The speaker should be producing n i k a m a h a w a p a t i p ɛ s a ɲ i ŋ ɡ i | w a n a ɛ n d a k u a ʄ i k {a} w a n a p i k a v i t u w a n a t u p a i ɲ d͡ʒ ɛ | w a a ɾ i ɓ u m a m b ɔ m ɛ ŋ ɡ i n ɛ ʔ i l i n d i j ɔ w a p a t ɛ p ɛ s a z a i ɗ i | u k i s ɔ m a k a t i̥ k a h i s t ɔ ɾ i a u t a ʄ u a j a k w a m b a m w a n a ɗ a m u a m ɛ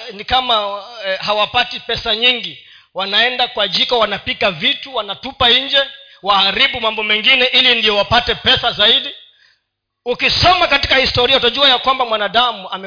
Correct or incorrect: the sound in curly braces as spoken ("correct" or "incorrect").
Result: correct